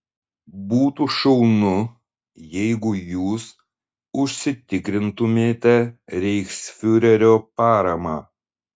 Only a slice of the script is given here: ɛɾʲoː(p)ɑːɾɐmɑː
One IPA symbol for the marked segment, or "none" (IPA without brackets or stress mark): p